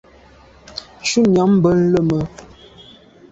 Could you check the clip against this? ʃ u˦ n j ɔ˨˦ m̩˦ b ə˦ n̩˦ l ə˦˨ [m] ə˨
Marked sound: correct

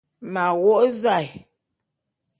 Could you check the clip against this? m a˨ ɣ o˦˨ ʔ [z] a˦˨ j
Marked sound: correct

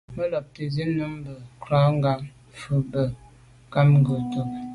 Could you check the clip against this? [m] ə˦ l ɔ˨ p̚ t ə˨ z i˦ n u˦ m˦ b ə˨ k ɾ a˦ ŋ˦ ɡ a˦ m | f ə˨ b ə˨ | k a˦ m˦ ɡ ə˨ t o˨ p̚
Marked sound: correct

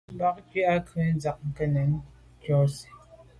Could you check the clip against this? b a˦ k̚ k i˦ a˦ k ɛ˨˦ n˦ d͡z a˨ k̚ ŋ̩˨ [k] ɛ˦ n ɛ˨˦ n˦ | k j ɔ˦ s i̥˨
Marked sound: correct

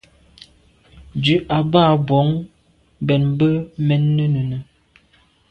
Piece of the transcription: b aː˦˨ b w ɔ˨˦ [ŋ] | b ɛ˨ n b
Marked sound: correct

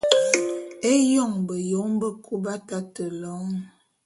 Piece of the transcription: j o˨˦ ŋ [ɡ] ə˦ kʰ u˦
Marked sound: incorrect: b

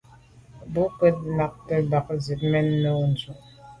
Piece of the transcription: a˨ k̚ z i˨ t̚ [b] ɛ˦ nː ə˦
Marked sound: incorrect: m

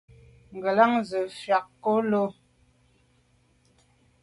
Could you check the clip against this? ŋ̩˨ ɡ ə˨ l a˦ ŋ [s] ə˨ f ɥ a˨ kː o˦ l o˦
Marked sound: incorrect: z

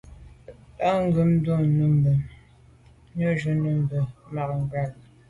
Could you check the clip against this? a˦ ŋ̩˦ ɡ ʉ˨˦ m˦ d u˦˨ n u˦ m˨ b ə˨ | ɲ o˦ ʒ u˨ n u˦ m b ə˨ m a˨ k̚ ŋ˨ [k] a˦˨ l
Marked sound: incorrect: ɡ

